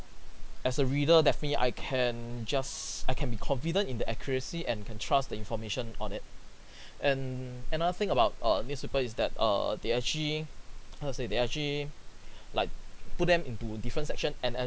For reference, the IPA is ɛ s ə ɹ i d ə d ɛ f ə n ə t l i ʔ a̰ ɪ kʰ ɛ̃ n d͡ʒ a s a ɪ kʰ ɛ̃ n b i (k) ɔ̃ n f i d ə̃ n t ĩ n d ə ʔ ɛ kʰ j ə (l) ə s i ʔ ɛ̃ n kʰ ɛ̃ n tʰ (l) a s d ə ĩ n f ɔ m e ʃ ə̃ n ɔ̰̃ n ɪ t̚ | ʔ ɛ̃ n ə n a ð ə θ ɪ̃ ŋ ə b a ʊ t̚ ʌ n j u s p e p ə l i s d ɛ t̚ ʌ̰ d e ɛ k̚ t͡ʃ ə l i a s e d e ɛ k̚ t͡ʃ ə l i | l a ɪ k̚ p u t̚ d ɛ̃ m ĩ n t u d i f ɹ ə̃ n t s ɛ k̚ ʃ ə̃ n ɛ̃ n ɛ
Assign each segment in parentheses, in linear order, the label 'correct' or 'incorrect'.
incorrect: kʰ, incorrect: ɹ, incorrect: ɹ

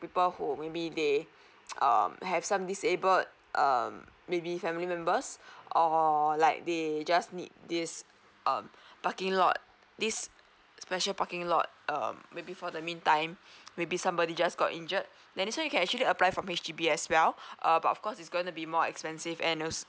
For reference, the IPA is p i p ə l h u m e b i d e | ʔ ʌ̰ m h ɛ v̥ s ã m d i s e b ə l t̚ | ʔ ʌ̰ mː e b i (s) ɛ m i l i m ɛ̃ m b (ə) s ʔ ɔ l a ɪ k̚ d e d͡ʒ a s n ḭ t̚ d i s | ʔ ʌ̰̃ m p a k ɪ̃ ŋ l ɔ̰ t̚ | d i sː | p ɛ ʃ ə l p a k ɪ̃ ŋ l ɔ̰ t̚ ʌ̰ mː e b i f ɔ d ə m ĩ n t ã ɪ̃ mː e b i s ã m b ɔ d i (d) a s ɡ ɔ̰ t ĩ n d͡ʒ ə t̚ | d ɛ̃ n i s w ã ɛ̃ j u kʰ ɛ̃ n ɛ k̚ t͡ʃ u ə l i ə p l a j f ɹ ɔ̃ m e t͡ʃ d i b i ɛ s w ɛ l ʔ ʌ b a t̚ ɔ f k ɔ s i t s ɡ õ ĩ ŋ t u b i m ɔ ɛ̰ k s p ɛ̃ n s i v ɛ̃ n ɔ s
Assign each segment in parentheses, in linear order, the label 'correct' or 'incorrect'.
incorrect: f, correct, incorrect: d͡ʒ

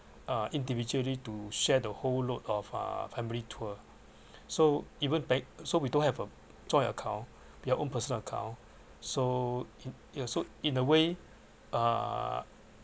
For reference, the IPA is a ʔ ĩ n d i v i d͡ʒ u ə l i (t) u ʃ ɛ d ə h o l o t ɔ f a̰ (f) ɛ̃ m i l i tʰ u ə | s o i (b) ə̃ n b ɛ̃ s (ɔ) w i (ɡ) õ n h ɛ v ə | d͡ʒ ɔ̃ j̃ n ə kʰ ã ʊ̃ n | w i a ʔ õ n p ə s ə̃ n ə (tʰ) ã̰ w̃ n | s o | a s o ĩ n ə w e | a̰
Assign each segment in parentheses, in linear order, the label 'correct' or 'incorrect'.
correct, correct, incorrect: v, incorrect: o, incorrect: d, incorrect: kʰ

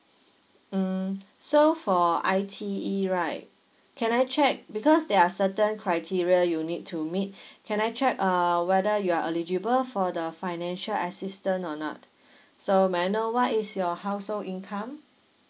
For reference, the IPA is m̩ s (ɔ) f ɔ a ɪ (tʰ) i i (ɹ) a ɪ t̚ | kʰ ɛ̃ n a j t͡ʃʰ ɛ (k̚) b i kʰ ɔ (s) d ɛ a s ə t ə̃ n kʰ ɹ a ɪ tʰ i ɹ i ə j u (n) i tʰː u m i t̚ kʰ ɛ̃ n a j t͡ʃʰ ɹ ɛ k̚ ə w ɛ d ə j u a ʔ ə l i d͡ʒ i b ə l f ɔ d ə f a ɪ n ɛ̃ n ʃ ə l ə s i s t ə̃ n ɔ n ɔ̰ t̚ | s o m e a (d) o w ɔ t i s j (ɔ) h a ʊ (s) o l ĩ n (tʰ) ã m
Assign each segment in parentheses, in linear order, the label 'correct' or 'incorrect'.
incorrect: o, correct, correct, correct, correct, correct, incorrect: n, correct, correct, incorrect: kʰ

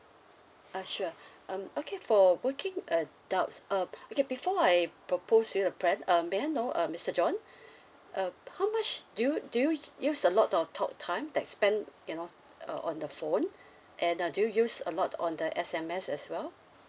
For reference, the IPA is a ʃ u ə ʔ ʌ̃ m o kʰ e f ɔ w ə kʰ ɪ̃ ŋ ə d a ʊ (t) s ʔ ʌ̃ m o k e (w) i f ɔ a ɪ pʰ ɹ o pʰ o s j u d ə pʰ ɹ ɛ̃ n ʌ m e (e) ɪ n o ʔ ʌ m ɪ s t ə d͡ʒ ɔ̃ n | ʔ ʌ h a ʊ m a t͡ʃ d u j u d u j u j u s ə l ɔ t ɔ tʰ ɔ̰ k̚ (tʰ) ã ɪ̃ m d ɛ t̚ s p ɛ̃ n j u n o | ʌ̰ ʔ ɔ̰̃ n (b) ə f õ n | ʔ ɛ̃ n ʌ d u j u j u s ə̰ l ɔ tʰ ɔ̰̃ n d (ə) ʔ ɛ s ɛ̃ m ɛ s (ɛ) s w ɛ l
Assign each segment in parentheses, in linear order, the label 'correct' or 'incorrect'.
correct, incorrect: b, incorrect: a, correct, incorrect: d, correct, correct

